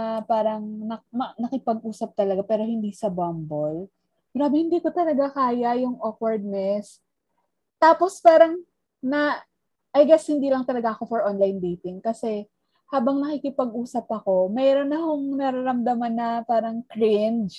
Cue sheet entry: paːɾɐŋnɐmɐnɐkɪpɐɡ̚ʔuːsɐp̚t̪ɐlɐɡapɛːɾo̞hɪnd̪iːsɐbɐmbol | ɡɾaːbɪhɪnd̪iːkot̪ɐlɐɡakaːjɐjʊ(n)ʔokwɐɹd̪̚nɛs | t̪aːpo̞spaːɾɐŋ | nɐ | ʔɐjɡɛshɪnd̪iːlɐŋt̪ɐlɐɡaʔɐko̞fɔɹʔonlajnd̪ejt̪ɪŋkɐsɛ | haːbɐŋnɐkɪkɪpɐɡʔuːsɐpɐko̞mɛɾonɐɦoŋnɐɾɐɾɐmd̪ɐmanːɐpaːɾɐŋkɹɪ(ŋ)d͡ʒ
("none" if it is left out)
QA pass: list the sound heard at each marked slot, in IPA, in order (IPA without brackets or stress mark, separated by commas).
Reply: ŋ, n